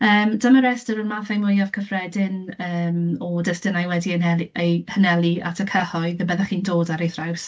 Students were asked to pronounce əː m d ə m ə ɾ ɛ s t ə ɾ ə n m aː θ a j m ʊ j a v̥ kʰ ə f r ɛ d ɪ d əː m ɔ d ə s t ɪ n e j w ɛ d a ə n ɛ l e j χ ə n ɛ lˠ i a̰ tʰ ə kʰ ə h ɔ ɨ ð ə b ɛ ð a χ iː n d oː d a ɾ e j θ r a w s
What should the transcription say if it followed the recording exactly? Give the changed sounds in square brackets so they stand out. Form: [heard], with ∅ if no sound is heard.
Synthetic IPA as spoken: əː m d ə m ə ɾ ɛ s t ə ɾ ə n m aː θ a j m ʊ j a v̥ kʰ ə f r ɛ d ɪ [n] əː m ɔ d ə s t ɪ n [a] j w ɛ d [i] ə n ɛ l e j [h] ə n ɛ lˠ i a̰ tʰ ə kʰ ə h ɔ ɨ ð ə b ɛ ð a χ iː n d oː d a ɾ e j θ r a w s